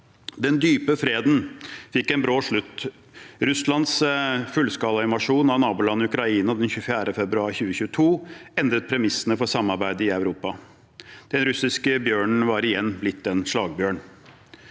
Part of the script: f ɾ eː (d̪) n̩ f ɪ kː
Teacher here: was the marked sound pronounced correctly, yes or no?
yes